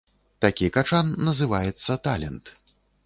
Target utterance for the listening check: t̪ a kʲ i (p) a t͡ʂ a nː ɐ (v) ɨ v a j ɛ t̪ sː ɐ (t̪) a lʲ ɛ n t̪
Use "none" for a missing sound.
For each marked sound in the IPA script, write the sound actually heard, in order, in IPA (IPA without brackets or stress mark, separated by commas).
k, z, t̪